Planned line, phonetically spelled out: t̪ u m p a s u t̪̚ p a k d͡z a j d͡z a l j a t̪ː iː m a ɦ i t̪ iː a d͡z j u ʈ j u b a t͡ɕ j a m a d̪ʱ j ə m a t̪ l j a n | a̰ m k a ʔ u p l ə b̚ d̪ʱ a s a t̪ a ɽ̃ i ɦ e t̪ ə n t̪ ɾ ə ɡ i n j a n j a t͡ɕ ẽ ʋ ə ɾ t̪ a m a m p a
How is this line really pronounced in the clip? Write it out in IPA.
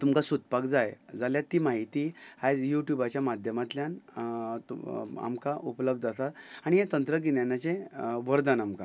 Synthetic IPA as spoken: t̪ u m k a s u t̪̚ p a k d͡z a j d͡z a l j a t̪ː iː m a ɦ i t̪ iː a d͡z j u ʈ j u b a t͡ɕ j a m a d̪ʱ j ə m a t̪ l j a n | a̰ m k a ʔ u p l ə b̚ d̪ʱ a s a t̪ a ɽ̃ i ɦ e t̪ ə n t̪ ɾ ə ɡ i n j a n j a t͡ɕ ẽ ʋ ə ɾ d̪ a n a m k a